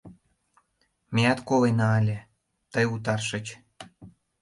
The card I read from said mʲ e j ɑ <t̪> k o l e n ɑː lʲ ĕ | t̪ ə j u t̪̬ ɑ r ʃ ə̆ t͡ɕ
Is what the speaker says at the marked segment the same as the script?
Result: yes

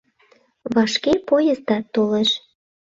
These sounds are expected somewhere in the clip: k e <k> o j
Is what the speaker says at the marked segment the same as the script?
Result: no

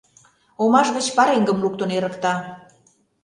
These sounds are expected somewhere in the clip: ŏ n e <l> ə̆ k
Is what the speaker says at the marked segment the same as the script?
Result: no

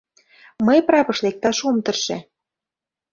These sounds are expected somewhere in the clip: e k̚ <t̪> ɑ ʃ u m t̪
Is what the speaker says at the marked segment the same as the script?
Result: yes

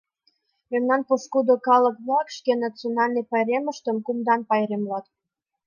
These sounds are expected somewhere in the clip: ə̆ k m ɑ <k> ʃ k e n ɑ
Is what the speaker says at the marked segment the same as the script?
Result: yes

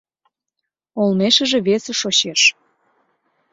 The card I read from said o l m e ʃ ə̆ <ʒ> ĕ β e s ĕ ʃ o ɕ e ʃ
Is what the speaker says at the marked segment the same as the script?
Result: yes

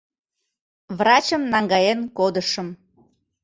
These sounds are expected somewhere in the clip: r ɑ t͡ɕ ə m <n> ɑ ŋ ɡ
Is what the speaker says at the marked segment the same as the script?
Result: yes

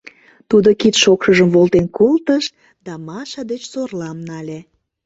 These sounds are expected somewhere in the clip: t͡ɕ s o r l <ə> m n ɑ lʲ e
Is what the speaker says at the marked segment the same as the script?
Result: no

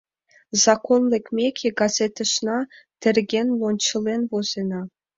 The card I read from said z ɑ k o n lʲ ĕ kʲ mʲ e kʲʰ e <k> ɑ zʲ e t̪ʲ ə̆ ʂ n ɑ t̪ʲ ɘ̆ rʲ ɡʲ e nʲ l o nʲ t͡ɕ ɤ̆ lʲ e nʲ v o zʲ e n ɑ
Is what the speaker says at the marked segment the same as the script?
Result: no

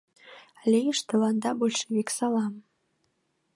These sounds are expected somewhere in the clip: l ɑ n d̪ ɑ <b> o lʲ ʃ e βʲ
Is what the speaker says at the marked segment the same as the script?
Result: yes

